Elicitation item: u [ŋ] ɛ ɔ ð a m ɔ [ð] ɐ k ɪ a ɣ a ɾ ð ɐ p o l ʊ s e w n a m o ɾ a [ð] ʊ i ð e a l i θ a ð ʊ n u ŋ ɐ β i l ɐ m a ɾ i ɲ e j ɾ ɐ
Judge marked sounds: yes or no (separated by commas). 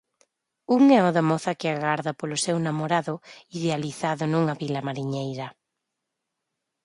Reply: yes, no, yes